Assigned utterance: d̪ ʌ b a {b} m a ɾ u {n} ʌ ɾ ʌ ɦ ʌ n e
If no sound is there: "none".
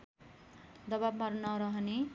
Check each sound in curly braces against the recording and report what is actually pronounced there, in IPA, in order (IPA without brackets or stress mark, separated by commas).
b, n